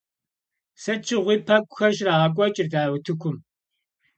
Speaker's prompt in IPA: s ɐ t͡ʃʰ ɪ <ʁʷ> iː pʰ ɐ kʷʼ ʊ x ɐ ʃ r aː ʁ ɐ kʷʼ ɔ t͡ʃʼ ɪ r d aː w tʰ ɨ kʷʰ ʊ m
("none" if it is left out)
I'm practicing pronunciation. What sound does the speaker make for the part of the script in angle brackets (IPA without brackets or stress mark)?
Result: ʁʷ